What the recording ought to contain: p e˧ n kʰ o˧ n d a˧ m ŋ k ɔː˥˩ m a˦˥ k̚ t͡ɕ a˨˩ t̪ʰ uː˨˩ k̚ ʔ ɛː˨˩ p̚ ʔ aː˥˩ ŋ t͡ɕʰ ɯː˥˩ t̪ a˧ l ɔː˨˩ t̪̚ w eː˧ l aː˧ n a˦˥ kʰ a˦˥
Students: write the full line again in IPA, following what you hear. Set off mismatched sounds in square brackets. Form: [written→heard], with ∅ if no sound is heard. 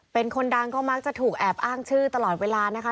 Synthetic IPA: p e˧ n kʰ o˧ n d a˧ [m→∅] ŋ k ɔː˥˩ m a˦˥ k̚ t͡ɕ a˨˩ t̪ʰ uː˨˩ k̚ ʔ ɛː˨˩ p̚ ʔ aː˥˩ ŋ t͡ɕʰ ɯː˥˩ t̪ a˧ l ɔː˨˩ t̪̚ w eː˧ l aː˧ n a˦˥ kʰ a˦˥

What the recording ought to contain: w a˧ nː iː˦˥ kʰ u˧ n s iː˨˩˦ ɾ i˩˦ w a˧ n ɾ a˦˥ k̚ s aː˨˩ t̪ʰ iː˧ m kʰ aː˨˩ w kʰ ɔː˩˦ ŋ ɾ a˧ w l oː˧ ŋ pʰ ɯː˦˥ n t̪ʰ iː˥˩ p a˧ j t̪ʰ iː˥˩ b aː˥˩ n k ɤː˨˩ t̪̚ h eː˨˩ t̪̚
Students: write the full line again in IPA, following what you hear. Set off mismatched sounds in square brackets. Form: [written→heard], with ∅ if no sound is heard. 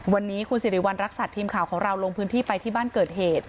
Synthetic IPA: w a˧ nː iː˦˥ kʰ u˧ n s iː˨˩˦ ɾ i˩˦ w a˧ n ɾ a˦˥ k̚ s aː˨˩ t̪ʰ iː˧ m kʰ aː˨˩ w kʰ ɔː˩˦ ŋ ɾ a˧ w l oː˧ ŋ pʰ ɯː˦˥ n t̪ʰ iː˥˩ p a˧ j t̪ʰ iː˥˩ b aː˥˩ n k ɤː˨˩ t̪̚ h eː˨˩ t̪̚

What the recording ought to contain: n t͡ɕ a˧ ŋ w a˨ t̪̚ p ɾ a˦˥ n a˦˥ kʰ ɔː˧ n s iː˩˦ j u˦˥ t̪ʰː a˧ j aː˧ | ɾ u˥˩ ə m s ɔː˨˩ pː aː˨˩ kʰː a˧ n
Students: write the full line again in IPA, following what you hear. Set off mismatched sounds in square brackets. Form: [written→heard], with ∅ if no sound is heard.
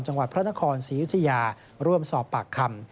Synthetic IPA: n t͡ɕ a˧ ŋ w a˨ t̪̚ [p→pʰ] ɾ a˦˥ n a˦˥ kʰ ɔː˧ n s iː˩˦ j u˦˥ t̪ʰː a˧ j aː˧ | ɾ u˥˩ ə m s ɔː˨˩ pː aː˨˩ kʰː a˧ [n→m]

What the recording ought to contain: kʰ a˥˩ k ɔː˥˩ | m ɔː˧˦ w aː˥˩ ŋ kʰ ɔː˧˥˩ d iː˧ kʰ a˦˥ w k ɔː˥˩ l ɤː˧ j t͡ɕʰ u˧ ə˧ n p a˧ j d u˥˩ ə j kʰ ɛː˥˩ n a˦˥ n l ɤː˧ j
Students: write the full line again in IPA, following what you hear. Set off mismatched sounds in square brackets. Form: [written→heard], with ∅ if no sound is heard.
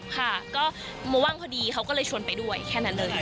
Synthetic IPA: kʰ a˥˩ k ɔː˥˩ | m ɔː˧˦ w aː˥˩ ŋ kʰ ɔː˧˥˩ d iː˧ kʰ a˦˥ w k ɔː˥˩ l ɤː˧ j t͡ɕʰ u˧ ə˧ n p a˧ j d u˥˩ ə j kʰ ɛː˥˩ n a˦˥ n l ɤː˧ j

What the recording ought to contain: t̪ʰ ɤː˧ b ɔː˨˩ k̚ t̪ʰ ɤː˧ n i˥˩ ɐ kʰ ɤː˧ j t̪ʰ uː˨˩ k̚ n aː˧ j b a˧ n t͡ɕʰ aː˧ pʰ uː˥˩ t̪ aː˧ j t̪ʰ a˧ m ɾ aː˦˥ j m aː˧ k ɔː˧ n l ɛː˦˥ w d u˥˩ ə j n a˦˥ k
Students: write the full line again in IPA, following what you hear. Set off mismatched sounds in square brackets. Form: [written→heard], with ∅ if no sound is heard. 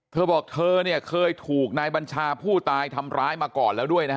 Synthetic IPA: t̪ʰ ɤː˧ b ɔː˨˩ k̚ t̪ʰ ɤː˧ n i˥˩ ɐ kʰ ɤː˧ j t̪ʰ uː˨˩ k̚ n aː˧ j b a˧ n t͡ɕʰ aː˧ pʰ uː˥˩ t̪ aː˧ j t̪ʰ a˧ m ɾ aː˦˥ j m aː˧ k [ɔː˧→ɔː˨˩] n l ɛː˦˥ w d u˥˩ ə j n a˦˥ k

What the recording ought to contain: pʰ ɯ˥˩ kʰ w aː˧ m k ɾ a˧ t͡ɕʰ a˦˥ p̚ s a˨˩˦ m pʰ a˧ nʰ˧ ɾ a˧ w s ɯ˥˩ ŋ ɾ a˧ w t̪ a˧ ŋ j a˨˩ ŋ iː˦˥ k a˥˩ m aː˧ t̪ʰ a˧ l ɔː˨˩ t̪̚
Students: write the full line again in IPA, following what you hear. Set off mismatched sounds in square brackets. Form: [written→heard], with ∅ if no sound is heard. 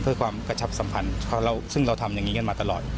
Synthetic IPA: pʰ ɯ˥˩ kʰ w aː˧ m k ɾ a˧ t͡ɕʰ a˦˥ p̚ s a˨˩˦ m pʰ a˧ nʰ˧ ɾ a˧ w s ɯ˥˩ ŋ ɾ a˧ w [t̪→t̪ʰ] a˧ [ŋ→m] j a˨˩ ŋ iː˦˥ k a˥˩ m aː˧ [t̪ʰ→t̪] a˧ l ɔː˨˩ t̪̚

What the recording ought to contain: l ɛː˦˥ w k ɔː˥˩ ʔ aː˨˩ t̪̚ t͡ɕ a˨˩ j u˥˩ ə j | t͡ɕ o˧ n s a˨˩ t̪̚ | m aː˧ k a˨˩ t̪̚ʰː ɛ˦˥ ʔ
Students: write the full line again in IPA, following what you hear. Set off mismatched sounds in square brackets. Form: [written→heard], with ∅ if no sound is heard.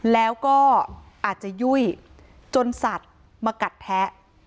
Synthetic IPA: l ɛː˦˥ w k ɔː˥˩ ʔ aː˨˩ t̪̚ t͡ɕ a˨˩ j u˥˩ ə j | t͡ɕ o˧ n s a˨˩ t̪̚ | m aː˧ k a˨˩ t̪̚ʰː ɛ˦˥ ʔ

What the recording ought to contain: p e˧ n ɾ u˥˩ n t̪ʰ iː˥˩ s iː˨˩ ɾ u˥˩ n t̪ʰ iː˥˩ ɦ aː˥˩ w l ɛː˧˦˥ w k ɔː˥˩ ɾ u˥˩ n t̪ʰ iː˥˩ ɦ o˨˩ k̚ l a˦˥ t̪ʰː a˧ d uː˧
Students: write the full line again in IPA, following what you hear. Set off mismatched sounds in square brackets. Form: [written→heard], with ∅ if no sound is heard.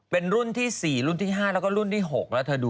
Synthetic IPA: p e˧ n ɾ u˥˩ n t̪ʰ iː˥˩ s iː˨˩ ɾ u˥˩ n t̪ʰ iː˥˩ ɦ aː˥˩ [w→∅] l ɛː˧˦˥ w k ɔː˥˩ ɾ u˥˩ n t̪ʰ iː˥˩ ɦ o˨˩ k̚ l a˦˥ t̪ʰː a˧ d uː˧

